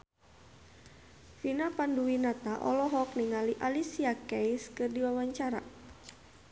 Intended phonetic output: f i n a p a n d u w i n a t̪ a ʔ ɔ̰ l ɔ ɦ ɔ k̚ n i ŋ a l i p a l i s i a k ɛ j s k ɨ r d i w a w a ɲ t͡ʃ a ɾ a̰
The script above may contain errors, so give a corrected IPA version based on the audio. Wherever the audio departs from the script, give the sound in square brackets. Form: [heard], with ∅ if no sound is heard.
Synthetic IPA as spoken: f i n a p a n d u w i n a t̪ a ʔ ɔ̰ l ɔ ɦ ɔ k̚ n i ŋ a l i [ʔ] a l i s i a k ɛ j s k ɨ r d i w a w a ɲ t͡ʃ a ɾ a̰